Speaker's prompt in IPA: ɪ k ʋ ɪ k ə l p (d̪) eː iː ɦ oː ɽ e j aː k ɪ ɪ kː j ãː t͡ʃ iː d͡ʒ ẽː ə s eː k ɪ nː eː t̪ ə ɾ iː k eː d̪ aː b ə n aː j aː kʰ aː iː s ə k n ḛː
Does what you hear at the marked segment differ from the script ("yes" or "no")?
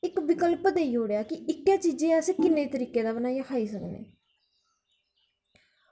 no